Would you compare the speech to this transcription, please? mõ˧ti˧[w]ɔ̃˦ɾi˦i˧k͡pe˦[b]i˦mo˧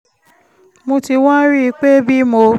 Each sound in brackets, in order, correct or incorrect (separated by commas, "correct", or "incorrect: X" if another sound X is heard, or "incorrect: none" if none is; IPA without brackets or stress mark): correct, correct